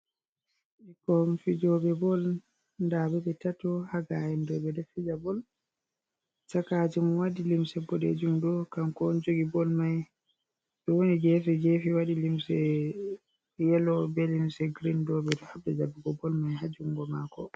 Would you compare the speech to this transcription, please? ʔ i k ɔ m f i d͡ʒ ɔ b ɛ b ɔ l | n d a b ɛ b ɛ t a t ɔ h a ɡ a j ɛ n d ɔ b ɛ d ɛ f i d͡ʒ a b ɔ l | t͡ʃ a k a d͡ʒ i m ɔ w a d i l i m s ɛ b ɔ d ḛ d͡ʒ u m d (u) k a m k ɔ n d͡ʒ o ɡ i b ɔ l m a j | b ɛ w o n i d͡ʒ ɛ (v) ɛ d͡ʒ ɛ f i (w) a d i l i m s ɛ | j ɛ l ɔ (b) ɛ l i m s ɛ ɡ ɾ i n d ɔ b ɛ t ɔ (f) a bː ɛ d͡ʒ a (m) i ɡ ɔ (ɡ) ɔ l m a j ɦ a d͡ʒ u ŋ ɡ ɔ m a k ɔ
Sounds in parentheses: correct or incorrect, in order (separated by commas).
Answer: incorrect, incorrect, correct, correct, incorrect, incorrect, incorrect